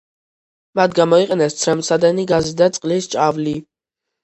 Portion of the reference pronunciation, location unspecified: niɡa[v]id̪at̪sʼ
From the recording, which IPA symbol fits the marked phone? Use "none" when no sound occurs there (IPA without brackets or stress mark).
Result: z